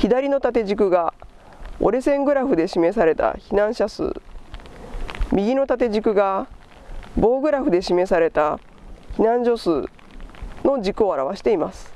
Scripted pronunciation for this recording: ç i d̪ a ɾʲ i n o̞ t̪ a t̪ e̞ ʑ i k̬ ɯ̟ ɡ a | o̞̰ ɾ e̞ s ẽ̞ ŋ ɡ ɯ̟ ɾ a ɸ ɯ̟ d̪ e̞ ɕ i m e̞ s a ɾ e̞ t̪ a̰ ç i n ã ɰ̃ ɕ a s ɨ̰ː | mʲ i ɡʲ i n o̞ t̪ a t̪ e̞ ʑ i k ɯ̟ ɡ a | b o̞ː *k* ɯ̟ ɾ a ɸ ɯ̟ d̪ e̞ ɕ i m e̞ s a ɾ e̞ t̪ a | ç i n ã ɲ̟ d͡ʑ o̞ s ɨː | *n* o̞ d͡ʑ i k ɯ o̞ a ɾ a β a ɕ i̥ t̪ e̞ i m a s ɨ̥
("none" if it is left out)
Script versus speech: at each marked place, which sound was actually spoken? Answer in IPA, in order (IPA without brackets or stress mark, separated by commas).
ɡ, n